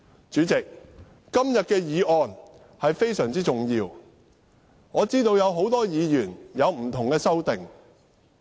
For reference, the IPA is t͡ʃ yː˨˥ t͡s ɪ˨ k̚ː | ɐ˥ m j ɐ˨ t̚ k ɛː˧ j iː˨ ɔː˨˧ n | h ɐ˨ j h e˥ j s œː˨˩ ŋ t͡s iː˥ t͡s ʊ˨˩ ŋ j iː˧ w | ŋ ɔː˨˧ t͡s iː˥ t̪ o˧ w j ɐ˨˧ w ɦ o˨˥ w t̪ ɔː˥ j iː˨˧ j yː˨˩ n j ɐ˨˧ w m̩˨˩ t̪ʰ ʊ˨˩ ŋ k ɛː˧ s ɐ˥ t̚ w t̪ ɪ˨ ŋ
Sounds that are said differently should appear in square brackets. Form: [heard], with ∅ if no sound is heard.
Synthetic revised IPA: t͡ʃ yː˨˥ t͡s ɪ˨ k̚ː | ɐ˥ m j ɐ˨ t̚ k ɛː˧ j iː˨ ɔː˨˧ n | h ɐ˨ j [f] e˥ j s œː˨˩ ŋ t͡s iː˥ t͡s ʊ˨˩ ŋ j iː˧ w | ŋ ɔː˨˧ t͡s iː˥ t̪ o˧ w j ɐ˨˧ w ɦ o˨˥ w t̪ ɔː˥ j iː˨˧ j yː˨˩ n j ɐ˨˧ w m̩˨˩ t̪ʰ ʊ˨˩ ŋ k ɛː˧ s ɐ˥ [∅] w t̪ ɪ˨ ŋ